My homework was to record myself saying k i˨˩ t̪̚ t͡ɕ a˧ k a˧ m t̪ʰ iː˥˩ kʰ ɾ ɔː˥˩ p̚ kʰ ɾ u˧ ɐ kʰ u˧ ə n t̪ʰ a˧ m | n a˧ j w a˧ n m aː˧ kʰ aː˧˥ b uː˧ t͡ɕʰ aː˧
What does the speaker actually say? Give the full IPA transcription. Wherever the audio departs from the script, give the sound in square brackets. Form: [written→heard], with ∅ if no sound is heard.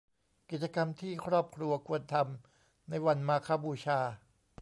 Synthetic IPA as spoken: k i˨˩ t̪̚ t͡ɕ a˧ k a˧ m t̪ʰ iː˥˩ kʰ ɾ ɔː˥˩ p̚ kʰ ɾ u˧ ɐ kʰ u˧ ə n t̪ʰ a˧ m | n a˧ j w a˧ n m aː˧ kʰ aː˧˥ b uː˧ t͡ɕʰ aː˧